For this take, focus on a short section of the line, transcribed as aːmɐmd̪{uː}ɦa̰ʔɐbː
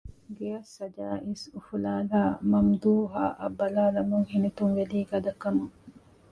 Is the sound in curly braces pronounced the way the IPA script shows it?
yes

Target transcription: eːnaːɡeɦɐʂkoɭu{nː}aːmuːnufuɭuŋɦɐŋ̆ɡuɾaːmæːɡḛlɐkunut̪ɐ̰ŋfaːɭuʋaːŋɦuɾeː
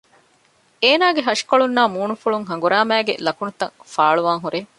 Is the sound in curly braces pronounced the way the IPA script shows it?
yes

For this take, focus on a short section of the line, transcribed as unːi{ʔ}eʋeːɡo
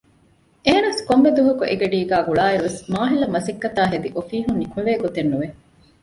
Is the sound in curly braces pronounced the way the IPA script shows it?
no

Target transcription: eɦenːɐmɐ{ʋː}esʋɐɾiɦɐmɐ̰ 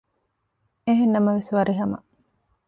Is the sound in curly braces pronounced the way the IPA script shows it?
no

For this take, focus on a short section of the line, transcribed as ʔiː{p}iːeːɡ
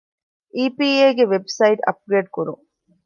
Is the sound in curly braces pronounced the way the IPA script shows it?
yes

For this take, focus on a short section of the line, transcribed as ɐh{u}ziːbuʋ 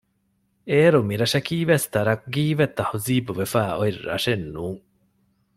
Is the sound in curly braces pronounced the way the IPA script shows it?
yes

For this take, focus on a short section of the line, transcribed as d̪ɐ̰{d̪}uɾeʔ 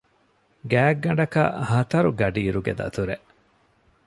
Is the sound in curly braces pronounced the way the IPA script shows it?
no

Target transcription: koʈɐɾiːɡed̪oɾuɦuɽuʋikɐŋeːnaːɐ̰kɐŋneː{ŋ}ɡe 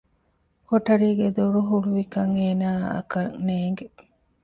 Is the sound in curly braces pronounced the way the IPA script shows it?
yes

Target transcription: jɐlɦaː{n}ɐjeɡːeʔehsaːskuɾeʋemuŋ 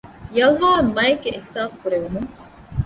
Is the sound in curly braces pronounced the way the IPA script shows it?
no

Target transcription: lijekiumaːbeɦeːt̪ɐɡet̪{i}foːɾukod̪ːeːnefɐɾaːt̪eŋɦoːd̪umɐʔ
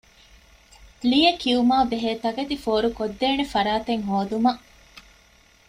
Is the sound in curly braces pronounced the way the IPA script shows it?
yes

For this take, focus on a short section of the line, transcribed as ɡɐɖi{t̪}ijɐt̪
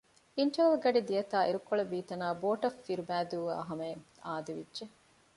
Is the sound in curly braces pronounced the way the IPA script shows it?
no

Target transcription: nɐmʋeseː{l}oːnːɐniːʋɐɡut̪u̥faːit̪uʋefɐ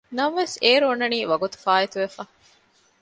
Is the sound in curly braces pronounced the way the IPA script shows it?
no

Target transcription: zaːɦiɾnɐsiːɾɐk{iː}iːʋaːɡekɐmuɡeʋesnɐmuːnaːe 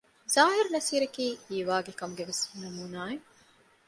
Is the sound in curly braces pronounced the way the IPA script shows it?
yes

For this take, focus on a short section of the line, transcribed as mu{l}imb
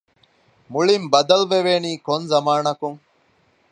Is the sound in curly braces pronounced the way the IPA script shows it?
no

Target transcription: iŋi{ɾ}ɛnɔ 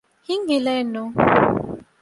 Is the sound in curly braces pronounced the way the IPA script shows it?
no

